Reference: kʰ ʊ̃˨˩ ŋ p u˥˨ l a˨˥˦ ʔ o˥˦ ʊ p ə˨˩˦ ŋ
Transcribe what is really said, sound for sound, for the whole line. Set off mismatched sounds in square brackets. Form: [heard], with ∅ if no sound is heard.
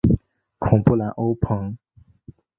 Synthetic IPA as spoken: kʰ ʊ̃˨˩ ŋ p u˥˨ l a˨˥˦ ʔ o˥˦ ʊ [pʰ] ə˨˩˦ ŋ